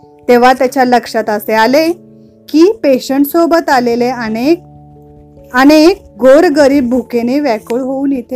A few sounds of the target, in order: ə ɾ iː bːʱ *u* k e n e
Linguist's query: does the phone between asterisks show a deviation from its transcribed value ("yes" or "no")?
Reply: no